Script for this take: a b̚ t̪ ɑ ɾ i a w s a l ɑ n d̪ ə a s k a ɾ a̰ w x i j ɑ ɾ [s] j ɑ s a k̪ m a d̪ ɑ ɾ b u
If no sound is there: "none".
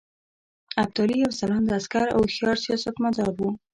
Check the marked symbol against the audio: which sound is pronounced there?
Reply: s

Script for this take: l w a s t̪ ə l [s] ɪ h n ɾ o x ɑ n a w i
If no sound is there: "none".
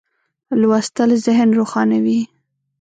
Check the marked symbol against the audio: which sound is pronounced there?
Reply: z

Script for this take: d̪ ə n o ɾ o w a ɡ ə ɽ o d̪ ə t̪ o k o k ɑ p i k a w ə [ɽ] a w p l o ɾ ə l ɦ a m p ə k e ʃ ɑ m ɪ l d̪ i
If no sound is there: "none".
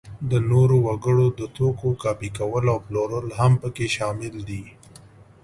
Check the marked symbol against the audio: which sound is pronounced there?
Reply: l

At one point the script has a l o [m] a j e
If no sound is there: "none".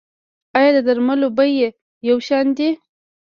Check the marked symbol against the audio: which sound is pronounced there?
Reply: b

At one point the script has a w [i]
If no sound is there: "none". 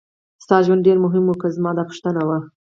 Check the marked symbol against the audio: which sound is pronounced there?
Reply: a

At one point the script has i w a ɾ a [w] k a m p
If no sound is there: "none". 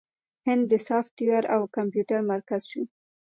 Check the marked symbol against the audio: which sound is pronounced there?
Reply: w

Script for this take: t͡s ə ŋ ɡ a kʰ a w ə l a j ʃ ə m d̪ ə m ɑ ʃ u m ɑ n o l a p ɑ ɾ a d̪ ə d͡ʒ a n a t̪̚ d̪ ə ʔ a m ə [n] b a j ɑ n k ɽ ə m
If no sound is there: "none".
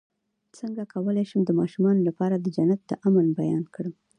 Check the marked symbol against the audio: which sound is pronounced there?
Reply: n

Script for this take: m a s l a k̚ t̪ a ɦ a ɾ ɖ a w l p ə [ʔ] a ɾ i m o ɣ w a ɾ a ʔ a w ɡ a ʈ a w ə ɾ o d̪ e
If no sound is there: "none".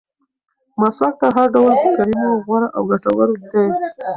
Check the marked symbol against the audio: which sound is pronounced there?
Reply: k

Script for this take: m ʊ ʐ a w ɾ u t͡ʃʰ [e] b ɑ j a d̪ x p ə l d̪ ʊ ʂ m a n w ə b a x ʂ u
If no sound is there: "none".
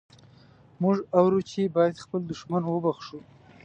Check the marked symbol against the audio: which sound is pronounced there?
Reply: e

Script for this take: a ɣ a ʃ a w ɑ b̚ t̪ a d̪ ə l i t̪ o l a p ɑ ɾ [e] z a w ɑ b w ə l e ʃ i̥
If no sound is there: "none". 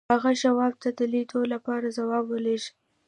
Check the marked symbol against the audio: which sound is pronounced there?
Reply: a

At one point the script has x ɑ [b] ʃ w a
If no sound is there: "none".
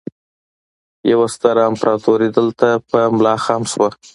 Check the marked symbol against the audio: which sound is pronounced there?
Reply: m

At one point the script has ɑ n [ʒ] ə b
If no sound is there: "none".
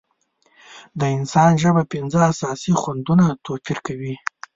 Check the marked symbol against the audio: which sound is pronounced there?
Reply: ʒ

